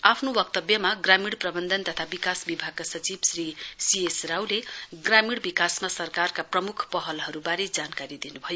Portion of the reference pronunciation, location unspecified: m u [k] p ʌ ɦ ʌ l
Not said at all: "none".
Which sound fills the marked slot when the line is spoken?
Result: kʰ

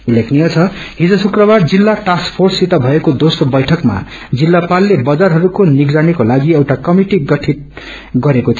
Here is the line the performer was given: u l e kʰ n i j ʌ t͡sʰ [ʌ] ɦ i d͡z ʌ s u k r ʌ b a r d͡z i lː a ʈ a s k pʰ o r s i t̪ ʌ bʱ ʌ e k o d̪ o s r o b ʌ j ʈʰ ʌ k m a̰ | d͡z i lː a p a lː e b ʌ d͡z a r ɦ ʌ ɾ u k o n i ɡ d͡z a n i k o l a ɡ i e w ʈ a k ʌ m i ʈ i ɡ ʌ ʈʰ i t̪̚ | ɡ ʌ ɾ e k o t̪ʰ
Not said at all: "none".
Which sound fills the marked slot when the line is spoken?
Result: ʌ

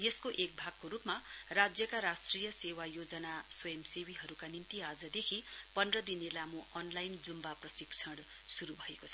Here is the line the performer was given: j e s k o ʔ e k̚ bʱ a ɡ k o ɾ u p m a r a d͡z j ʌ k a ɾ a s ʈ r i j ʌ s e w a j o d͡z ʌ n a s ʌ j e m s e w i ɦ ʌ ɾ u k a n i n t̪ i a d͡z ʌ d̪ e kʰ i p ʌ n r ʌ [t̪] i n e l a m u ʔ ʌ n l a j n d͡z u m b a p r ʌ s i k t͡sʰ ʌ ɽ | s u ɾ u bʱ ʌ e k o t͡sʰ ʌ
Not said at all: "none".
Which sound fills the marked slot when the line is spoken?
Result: d̪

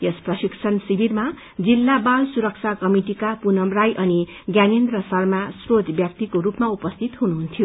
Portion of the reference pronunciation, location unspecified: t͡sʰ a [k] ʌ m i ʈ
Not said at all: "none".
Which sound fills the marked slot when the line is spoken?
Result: k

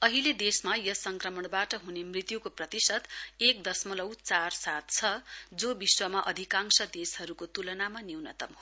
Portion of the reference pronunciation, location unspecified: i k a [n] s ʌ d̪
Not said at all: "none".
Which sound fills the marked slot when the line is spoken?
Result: ŋ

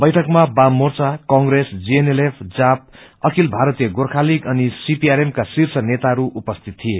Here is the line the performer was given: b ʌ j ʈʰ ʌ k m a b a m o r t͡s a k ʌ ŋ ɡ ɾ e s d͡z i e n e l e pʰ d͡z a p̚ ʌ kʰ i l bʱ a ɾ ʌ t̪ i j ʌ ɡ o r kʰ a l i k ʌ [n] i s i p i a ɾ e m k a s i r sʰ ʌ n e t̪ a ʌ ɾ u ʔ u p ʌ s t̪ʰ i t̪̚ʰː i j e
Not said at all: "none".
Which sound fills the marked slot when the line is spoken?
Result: n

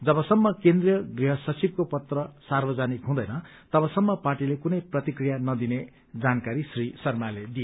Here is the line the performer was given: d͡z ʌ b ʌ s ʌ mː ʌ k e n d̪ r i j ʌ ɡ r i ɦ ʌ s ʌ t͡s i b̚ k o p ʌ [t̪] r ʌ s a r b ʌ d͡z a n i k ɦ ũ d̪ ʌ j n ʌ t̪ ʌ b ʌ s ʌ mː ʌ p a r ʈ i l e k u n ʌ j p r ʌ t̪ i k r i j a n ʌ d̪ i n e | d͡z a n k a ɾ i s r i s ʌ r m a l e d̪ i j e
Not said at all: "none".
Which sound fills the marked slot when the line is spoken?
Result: t̪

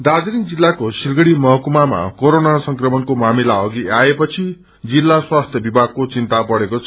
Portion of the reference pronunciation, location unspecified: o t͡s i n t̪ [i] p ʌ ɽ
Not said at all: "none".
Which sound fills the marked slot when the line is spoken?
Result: a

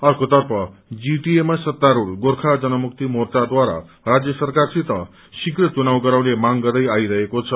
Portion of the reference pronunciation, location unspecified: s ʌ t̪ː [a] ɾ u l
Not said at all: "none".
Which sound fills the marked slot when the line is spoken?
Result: a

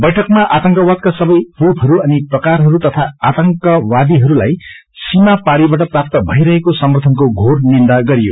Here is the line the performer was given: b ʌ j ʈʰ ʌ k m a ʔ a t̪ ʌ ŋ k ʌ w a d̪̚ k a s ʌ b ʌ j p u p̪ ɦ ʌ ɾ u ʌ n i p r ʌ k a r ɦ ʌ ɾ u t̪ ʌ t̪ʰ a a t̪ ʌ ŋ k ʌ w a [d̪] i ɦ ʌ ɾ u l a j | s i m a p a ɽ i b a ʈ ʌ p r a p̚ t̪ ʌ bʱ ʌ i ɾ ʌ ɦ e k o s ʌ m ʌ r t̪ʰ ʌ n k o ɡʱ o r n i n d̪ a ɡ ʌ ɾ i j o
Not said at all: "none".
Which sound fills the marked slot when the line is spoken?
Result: d̪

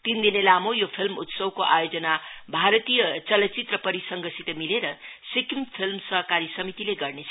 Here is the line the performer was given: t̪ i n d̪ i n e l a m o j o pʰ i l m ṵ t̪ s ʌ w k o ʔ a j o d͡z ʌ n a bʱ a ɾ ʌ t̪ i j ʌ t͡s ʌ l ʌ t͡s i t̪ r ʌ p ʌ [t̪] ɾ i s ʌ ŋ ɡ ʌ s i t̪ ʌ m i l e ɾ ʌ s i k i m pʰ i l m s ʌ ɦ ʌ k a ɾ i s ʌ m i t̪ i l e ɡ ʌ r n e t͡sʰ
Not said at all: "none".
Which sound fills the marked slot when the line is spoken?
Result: none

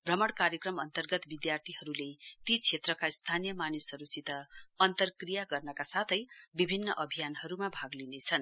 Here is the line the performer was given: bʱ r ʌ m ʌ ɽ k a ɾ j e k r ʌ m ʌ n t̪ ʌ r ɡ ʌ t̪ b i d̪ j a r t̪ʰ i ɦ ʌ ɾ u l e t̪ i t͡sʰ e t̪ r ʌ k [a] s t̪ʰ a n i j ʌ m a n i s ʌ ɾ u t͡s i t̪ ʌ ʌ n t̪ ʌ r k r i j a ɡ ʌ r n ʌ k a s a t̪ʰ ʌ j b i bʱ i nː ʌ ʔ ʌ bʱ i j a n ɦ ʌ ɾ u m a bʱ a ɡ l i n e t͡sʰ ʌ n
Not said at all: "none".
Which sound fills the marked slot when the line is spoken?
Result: a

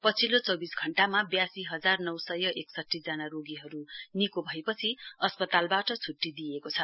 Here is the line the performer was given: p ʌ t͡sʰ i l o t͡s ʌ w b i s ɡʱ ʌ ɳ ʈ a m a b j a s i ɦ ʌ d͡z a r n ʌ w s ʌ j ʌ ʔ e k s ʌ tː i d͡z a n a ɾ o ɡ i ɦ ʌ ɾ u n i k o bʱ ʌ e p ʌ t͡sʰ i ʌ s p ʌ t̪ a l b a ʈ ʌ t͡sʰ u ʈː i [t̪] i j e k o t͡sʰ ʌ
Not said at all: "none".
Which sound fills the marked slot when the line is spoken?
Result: d̪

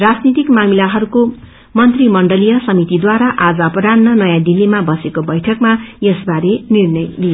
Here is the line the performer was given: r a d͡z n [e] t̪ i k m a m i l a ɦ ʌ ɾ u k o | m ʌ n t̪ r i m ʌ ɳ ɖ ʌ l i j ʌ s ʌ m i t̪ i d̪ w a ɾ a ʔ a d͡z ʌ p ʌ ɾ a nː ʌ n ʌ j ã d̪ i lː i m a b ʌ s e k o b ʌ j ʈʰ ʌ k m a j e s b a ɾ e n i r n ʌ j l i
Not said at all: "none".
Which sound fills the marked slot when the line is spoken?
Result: i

